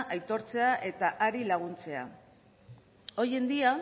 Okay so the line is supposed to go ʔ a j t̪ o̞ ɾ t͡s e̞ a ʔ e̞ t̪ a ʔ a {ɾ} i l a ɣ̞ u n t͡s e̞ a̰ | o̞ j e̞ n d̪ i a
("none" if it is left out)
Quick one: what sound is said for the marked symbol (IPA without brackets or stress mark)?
ɾ